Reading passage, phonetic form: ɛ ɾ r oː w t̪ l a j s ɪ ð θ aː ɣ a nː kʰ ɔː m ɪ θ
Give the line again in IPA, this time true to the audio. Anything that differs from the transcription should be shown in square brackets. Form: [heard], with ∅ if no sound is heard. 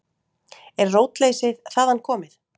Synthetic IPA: ɛ ɾ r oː w t̪ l [e] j s ɪ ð θ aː [ð] a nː kʰ ɔː m ɪ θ